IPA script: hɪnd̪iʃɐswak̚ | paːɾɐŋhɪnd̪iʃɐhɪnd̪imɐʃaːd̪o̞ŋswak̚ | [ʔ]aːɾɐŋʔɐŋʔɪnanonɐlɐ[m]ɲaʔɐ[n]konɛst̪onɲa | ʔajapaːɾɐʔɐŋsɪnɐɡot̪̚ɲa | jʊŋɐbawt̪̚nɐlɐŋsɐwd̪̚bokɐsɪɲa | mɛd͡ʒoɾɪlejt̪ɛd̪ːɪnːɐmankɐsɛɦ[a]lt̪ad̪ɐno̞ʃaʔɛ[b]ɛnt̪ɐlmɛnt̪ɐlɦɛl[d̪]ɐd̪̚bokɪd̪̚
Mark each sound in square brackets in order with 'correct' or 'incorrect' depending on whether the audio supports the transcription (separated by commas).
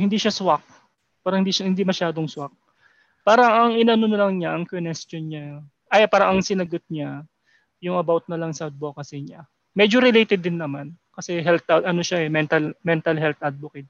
incorrect, incorrect, incorrect, incorrect, incorrect, incorrect